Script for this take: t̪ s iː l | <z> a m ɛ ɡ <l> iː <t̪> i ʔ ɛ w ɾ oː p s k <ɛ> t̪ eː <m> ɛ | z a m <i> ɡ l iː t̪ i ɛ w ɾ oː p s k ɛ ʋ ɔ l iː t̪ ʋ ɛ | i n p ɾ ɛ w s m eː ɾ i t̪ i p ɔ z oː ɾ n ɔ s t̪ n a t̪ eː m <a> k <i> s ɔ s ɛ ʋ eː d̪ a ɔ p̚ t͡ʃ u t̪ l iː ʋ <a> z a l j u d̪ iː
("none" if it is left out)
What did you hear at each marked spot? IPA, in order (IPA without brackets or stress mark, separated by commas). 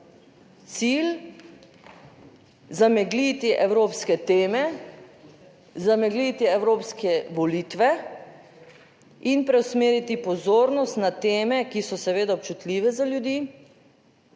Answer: z, l, t̪, ɛ, m, ɛ, ɛ, i, ɛ